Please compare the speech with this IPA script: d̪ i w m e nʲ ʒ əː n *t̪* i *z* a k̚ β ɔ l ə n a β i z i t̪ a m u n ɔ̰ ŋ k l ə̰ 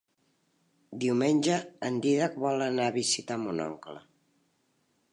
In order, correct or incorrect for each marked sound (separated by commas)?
incorrect, incorrect